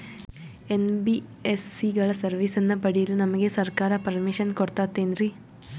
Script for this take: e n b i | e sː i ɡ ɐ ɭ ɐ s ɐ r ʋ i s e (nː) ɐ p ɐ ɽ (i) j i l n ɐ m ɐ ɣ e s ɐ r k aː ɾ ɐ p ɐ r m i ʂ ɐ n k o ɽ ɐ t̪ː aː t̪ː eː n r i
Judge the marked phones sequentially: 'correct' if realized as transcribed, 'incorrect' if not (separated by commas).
correct, correct